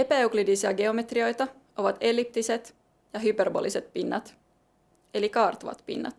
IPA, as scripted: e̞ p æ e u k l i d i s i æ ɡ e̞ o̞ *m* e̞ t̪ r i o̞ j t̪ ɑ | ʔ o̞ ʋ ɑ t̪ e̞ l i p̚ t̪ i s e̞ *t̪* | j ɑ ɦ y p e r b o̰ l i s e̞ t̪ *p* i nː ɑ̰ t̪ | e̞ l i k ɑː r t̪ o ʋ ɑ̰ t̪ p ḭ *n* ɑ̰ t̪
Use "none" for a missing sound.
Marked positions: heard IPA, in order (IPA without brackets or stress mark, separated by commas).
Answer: m, t̪, p, nː